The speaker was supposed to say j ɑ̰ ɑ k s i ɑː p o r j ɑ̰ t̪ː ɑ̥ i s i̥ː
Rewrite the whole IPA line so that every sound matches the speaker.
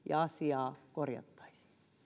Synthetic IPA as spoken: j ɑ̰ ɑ s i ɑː k o r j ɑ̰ t̪ː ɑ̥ i s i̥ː